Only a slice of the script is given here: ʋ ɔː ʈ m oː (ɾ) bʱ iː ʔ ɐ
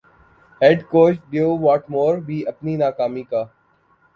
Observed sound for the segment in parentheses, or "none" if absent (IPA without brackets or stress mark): ɾ